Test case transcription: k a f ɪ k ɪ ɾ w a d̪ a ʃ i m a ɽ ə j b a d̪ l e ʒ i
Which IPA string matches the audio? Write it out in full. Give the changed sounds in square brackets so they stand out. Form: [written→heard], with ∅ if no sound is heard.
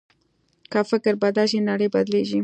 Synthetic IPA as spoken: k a f ɪ k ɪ ɾ [w→b] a d̪ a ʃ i [m→n] a ɽ ə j b a d̪ l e ʒ i